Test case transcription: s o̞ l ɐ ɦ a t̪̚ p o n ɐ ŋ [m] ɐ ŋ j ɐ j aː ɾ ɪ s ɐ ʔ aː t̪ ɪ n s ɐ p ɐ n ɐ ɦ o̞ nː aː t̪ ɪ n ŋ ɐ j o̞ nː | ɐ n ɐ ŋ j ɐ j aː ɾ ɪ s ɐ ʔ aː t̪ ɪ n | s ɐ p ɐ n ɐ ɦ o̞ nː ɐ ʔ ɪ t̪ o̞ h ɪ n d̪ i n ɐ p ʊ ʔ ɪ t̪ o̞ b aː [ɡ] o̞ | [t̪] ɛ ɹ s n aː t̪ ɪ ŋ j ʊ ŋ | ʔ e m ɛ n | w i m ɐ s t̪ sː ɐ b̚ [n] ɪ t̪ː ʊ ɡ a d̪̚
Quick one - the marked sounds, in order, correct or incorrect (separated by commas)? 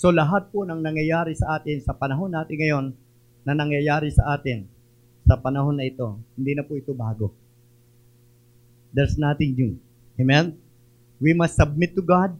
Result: incorrect, correct, incorrect, incorrect